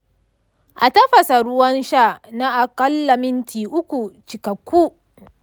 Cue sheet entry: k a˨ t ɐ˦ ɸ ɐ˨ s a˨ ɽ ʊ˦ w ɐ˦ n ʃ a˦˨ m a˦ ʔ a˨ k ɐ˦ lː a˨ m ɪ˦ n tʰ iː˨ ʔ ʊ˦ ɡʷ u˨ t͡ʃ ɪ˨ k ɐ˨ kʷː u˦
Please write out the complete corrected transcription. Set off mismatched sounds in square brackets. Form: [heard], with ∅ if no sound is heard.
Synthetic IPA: [ʔ] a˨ t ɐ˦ ɸ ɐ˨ s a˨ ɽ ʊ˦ w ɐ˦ n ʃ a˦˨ [n] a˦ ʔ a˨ k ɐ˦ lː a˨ m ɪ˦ n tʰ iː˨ ʔ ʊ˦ [kʷ] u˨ t͡ʃ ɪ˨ k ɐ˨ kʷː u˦